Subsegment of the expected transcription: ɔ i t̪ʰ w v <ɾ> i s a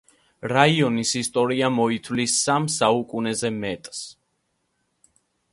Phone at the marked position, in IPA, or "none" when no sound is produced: l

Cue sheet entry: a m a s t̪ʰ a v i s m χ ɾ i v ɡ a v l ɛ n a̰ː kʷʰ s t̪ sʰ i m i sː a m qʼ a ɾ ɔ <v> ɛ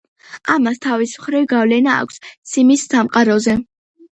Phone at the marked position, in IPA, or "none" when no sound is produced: z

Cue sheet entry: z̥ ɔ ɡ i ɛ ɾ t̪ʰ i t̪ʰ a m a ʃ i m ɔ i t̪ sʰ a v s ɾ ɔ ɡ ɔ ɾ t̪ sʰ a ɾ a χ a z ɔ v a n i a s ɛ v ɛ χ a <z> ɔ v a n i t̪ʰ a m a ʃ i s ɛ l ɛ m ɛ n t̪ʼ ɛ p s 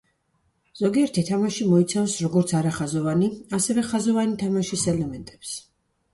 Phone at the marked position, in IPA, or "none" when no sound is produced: z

